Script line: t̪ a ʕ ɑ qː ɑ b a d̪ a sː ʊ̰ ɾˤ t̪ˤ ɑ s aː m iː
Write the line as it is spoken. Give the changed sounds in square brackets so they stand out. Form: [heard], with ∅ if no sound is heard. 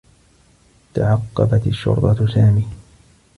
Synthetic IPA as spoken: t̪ a ʕ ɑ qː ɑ b a [t̪] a [ʃː] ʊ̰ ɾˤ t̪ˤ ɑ s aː m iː